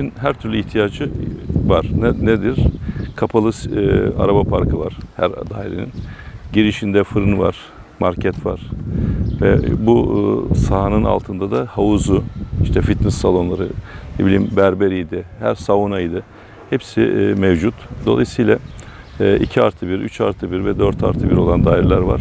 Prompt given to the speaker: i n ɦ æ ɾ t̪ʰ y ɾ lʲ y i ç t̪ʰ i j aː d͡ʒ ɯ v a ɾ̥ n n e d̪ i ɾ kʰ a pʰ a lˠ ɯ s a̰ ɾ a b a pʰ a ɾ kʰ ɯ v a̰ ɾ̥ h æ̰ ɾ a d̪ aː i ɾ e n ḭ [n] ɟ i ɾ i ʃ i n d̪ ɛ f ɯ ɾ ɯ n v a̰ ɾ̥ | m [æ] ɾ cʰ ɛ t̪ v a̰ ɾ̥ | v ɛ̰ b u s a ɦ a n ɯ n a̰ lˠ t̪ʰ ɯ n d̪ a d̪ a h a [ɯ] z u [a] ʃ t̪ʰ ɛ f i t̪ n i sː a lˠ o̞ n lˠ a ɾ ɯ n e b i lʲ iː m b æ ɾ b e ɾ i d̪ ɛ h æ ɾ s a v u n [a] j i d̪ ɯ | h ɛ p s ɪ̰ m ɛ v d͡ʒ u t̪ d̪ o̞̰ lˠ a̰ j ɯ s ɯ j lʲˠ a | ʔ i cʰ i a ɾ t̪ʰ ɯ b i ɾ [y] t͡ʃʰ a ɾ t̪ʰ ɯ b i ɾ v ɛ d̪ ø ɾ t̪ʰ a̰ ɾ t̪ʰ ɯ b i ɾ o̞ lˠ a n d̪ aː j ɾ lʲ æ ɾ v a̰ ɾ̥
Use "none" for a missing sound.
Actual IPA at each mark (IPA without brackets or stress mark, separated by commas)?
n, a, u, i, a, y